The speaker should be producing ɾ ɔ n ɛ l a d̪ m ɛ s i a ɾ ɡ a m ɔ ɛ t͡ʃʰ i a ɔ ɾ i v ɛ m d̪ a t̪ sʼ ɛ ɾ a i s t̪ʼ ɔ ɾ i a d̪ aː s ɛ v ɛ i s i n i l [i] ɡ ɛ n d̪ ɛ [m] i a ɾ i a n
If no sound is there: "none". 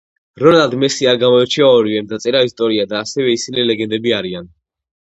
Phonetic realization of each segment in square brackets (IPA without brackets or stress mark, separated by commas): ɛ, b